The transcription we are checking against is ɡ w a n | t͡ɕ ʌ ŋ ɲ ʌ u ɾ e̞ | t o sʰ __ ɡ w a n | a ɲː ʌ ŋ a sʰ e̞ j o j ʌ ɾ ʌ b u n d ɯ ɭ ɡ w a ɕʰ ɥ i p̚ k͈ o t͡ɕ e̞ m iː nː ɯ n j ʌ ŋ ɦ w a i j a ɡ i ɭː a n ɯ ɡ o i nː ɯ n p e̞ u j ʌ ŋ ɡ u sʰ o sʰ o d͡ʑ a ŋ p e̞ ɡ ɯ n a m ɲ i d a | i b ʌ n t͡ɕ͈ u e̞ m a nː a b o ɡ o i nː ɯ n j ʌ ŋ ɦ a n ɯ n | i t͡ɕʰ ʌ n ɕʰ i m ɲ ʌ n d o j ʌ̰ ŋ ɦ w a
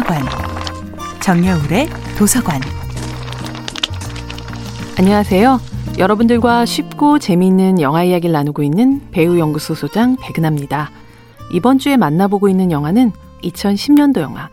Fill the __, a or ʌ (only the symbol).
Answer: a